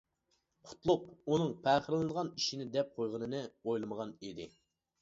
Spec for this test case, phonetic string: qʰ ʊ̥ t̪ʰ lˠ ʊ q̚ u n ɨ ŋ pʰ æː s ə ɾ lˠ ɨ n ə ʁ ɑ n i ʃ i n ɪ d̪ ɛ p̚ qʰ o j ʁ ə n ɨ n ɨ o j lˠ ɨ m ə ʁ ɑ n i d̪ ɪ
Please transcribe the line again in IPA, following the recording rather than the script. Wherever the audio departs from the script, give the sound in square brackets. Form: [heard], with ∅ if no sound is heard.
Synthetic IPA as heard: qʰ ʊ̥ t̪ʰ lˠ ʊ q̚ u n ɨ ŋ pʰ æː [χ] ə ɾ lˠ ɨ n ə ʁ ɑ n i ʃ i n ɪ d̪ ɛ p̚ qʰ o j ʁ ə n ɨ n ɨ o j lˠ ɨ m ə ʁ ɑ n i d̪ ɪ